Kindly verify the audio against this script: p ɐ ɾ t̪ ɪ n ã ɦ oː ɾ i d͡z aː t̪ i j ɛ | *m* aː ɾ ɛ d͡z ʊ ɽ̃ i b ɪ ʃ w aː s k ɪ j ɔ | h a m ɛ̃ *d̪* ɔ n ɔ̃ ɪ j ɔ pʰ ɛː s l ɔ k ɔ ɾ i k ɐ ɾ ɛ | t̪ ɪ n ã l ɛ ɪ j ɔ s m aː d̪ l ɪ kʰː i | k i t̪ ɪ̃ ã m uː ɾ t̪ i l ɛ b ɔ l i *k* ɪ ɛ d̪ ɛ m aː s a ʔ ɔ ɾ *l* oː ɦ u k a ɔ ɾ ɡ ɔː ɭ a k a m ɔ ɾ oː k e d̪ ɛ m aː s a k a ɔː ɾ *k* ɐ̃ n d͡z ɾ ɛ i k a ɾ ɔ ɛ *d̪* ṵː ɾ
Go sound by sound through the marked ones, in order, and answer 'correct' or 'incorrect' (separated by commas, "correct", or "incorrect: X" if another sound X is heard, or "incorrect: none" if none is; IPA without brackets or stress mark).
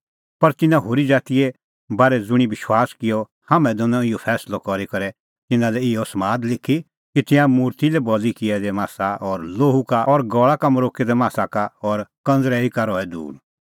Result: incorrect: b, correct, correct, correct, correct, correct